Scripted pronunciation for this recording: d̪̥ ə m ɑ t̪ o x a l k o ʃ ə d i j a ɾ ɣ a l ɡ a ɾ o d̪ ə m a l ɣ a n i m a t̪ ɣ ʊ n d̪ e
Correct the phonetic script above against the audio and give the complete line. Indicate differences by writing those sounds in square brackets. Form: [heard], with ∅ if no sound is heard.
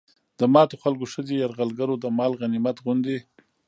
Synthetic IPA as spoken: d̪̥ ə m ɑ t̪ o x a l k o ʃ ə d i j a ɾ ɣ a l ɡ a ɾ o d̪ ə m [ɑ] l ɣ a n i m a t̪ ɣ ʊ n d̪ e